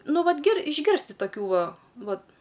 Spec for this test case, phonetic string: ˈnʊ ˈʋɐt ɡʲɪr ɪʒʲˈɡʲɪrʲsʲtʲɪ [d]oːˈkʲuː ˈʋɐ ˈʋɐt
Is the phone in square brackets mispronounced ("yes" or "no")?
yes